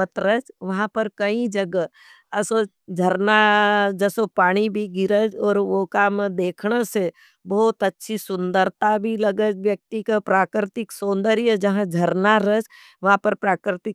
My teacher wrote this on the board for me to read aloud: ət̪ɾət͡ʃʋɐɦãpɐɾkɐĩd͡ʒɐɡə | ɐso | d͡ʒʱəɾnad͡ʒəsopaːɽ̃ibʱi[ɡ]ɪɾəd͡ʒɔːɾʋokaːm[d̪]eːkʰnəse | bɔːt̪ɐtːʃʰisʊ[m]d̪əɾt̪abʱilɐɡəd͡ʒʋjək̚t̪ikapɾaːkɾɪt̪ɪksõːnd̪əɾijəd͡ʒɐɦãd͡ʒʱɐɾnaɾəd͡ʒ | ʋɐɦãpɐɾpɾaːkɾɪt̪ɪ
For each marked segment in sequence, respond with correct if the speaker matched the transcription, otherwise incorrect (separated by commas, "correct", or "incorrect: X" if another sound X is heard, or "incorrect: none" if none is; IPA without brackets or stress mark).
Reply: correct, correct, incorrect: n